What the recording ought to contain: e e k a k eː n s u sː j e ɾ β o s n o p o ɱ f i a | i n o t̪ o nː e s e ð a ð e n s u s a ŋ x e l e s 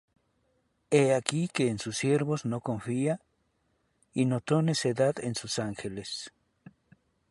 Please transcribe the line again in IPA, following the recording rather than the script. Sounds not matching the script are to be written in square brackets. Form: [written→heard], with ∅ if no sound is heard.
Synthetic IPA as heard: e [e→a] k [a→i] k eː n s u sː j e ɾ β o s n o [p→k] o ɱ f i a | i n o t̪ o [nː→n] e s e ð a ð e n s u s a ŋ x e l e s

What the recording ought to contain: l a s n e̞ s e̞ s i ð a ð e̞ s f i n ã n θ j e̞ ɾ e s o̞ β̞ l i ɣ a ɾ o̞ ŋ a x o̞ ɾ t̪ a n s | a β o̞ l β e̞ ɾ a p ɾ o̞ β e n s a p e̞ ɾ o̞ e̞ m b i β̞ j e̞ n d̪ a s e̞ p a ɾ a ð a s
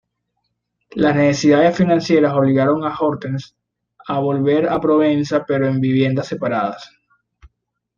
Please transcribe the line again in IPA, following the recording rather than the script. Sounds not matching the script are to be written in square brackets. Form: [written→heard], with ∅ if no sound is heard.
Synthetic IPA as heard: l a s n e̞ s e̞ s i ð a ð e̞ s f i n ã n [θ→s] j e̞ ɾ [e→a] s o̞ β̞ l i ɣ a ɾ o̞ ŋ a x o̞ ɾ t̪ [a→e] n s | a β o̞ l β e̞ ɾ a p ɾ o̞ β e n s a p e̞ ɾ o̞ e̞ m b i β̞ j e̞ n d̪ a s e̞ p a ɾ a ð a s

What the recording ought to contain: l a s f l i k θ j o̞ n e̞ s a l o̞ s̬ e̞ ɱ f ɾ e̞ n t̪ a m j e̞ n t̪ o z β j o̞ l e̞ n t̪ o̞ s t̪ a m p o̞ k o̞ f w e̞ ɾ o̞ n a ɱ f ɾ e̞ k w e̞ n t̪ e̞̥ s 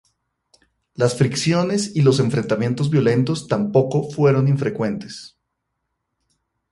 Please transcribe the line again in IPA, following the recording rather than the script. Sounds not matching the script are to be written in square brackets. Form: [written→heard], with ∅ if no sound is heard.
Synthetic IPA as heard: l a s f [l→ɾ] i k [θ→s] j o̞ n e̞ s [a→i] l o̞ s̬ e̞ ɱ f ɾ e̞ n t̪ a m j e̞ n t̪ o z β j o̞ l e̞ n t̪ o̞ s t̪ a m p o̞ k o̞ f w e̞ ɾ o̞ n [a→i] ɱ f ɾ e̞ k w e̞ n t̪ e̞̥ s

